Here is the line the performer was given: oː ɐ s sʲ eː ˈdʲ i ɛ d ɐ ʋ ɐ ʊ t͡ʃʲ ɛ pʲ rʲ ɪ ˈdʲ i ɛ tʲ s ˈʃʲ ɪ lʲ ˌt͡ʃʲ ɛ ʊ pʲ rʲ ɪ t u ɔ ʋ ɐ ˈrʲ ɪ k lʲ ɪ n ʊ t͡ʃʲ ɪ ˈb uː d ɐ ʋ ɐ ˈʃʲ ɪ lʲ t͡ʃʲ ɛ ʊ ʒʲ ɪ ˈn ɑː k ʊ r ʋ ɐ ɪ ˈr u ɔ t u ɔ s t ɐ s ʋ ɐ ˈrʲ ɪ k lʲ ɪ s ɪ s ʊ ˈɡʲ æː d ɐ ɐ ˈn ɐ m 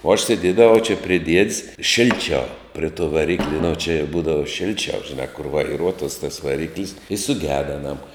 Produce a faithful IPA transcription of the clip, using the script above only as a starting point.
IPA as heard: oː ɐ ʃ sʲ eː ˈdʲ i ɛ d ɐ ʋ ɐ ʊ t͡ʃʲ ɛ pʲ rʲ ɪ ˈdʲ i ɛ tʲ s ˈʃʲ ɪ lʲ ˌt͡ʃʲ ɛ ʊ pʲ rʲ ɪ t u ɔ ʋ ɐ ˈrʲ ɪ k lʲ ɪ n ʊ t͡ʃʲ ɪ ˈb uː d ɐ ʋ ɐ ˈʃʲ ɪ lʲ t͡ʃʲ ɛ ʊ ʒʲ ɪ ˈn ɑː k ʊ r ʋ ɐ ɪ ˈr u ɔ t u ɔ s t ɐ s ʋ ɐ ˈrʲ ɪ k lʲ ɪ s ɪ s ʊ ˈɡʲ æː d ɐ ɐ ˈn ɐ m